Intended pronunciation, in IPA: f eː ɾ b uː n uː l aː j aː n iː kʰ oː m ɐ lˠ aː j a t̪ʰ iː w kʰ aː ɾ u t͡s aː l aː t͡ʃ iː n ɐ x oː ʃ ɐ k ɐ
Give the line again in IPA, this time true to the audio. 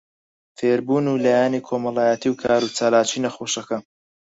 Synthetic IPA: f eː ɾ b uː n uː l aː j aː n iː kʰ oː m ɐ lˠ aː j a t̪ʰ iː w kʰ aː ɾ u t͡s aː l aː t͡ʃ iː n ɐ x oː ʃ ɐ k ɐ

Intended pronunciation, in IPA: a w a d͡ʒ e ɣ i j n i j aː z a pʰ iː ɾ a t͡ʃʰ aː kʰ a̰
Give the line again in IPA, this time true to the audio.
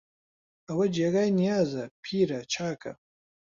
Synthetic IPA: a w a d͡ʒ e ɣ a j n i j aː z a pʰ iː ɾ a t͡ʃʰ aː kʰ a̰

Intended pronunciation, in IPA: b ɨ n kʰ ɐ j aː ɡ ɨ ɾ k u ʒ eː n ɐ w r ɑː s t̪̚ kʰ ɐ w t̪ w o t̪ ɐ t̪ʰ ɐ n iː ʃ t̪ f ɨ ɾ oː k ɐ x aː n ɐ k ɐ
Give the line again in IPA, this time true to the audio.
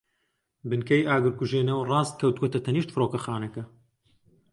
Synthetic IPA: b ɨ n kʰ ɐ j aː ɡ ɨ ɾ k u ʒ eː n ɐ w r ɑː s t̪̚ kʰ ɐ w t̪ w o t̪ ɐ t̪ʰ ɐ n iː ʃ t̪ f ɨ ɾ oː k ɐ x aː n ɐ k ɐ

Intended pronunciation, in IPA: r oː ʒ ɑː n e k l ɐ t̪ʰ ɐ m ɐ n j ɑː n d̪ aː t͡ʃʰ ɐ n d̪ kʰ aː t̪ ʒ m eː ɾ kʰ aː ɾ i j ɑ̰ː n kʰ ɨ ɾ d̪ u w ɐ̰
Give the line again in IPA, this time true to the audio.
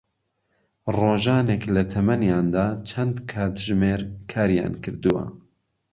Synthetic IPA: r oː ʒ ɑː n e k l ɐ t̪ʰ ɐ m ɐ n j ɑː n d̪ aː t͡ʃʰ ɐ n d̪ kʰ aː t̪ ʒ m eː ɾ kʰ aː ɾ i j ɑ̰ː n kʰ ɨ ɾ d̪ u w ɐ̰

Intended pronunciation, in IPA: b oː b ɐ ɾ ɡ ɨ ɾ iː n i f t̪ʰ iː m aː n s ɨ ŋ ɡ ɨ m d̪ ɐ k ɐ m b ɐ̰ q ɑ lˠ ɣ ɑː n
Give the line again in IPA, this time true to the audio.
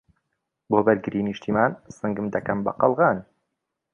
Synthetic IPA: b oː b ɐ ɾ ɡ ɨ ɾ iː n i ʃ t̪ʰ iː m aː n s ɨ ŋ ɡ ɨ m d̪ ɐ k ɐ m b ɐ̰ q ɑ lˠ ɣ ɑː n

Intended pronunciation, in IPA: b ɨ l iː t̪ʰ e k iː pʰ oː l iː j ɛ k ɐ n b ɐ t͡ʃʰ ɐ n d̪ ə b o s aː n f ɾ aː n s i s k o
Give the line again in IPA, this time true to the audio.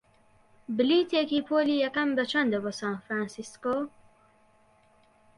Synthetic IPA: b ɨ l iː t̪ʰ e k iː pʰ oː l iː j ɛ k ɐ m b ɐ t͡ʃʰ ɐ n d̪ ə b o s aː n f ɾ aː n s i s k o

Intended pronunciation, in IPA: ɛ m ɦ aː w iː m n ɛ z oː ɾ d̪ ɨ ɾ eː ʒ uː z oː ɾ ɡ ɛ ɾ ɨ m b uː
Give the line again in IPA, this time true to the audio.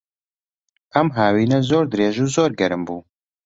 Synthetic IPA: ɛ m ɦ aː w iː n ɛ z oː ɾ d̪ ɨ ɾ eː ʒ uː z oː ɾ ɡ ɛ ɾ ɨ m b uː

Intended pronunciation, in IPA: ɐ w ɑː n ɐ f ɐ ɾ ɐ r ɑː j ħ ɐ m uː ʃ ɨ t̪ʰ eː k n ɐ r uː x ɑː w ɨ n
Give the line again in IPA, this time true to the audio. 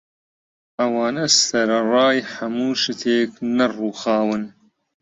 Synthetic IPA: ɐ w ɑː n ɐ s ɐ ɾ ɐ r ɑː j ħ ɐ m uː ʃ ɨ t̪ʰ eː k n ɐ r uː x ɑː w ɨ n

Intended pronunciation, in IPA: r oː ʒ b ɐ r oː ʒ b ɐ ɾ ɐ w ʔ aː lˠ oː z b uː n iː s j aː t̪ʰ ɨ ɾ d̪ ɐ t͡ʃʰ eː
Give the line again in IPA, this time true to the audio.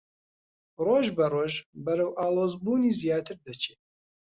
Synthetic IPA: r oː ʒ b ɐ r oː ʒ b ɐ ɾ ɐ w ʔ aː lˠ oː z b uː n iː z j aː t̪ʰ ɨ ɾ d̪ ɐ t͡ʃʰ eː

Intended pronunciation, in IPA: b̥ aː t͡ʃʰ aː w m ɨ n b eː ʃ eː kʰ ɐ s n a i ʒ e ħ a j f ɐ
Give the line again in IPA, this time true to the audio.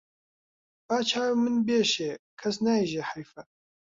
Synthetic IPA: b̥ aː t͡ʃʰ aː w m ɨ n b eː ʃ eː kʰ ɐ s n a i ʒ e ħ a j f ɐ

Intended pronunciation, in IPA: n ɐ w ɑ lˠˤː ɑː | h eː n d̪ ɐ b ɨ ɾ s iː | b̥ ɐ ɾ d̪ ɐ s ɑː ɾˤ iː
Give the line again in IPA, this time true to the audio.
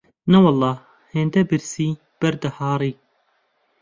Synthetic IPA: n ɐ w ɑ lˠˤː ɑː | h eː n d̪ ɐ b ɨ ɾ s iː | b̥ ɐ ɾ d̪ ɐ h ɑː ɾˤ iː

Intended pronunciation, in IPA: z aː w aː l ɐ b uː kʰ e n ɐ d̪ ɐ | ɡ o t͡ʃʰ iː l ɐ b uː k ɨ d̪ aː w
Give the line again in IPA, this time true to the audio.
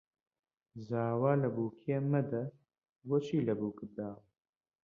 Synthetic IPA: z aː w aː l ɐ b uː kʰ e m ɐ d̪ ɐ | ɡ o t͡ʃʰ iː l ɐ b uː k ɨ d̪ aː w

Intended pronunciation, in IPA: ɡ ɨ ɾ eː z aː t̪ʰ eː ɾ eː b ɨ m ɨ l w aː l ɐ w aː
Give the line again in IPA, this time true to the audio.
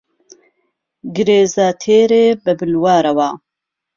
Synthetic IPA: ɡ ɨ ɾ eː z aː t̪ʰ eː ɾ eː b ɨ b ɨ l w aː ɾ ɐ w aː

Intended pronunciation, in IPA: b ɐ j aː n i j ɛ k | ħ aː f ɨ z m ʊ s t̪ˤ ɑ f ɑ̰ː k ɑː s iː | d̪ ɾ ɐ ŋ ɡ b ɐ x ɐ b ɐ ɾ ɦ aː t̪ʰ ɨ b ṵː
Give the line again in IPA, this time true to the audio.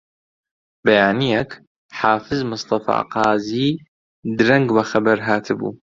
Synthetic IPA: b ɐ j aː n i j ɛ k | ħ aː f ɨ z m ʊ s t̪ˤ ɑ f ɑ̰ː q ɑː z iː | d̪ ɾ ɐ ŋ ɡ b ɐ x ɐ b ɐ ɾ ɦ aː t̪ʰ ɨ b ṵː

